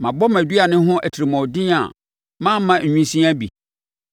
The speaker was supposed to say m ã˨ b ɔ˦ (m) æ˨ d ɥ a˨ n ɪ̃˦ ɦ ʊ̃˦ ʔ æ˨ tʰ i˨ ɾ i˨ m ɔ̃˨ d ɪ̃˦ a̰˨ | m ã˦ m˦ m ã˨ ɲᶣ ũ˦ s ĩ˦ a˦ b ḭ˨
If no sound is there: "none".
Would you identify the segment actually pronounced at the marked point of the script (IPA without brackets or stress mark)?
m